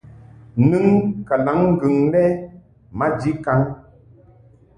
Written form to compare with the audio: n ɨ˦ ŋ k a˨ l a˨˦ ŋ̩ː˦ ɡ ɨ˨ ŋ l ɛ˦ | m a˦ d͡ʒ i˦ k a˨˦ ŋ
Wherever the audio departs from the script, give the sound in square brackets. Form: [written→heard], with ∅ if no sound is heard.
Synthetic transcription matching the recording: n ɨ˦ ŋ k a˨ l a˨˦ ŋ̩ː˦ ɡ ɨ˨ ŋ l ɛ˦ | m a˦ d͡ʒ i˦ k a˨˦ ŋ